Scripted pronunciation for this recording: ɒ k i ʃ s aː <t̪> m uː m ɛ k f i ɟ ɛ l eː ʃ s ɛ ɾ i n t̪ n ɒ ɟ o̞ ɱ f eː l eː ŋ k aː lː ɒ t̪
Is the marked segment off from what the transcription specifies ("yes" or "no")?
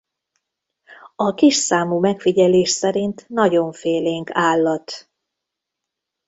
yes